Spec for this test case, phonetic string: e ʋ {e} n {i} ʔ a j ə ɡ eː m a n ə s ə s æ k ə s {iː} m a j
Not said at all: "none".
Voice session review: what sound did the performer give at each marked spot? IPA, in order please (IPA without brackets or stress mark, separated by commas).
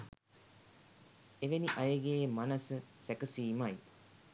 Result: e, i, iː